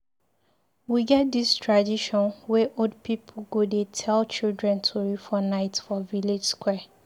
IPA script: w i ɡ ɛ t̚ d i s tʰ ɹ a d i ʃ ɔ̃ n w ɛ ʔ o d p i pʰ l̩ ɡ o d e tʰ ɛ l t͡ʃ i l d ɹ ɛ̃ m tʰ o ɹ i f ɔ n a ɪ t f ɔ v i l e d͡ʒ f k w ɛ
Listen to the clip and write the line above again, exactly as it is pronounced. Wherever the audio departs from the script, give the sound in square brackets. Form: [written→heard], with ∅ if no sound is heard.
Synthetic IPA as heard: w i ɡ ɛ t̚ d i s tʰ ɹ a d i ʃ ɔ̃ n w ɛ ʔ o d p i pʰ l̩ ɡ o d e tʰ ɛ l t͡ʃ i l d ɹ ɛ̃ [m→n] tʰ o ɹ i f ɔ n a ɪ t f ɔ v i l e d͡ʒ [f→s] k w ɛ